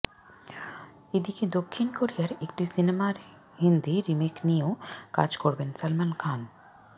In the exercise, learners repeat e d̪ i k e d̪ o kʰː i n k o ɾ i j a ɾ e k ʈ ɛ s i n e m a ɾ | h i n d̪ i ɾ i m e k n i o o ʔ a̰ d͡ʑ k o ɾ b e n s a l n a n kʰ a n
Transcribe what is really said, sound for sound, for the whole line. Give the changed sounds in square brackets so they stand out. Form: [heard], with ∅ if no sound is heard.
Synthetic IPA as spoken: e d̪ i k e d̪ o kʰː i n k o ɾ i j a ɾ e k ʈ [i] s i n e m a ɾ | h i n d̪ i ɾ i m e k n i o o [k] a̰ d͡ʑ k o ɾ b e n s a l [m] a n kʰ a n